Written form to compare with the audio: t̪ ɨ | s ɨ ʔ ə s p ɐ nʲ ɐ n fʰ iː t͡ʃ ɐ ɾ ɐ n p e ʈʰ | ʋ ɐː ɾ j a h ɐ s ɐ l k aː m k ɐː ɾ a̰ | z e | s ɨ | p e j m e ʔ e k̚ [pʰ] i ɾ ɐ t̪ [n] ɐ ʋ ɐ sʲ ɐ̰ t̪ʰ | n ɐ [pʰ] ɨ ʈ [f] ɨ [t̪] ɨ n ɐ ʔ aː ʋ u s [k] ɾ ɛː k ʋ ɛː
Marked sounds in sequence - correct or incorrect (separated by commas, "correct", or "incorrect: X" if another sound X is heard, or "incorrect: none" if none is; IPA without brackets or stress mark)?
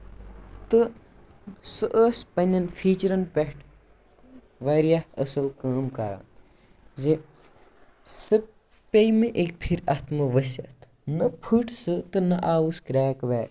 correct, incorrect: m, correct, incorrect: s, correct, correct